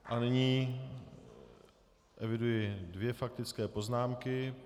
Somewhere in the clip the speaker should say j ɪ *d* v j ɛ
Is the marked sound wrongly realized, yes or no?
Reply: no